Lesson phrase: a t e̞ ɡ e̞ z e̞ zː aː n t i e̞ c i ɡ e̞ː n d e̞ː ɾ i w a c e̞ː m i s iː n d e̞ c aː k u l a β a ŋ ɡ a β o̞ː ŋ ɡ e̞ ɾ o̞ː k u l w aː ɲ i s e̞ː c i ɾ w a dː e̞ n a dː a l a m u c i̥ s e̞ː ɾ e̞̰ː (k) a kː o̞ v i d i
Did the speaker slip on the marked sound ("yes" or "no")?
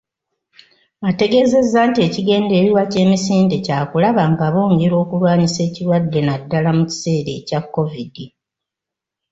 yes